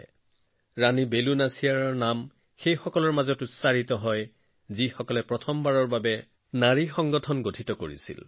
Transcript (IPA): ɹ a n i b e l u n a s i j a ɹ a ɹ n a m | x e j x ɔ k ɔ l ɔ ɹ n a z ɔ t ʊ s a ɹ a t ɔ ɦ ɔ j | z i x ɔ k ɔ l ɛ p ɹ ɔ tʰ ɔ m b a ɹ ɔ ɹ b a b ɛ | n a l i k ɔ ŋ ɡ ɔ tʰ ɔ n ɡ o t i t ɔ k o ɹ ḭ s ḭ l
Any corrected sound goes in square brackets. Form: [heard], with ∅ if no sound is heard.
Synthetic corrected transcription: ɹ a n i b e l u n a s i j a ɹ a ɹ n a m | x e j x ɔ k ɔ l ɔ ɹ [m] a z ɔ t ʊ s a ɹ [i] t ɔ ɦ ɔ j | z i x ɔ k ɔ l ɛ p ɹ ɔ tʰ ɔ m b a ɹ ɔ ɹ b a b ɛ | n a [ɹ] i [x] ɔ ŋ ɡ ɔ tʰ ɔ n ɡ o [tʰ] i t ɔ k o ɹ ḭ s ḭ l